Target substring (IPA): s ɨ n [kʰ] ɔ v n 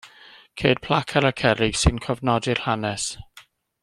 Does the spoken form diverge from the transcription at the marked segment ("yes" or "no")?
no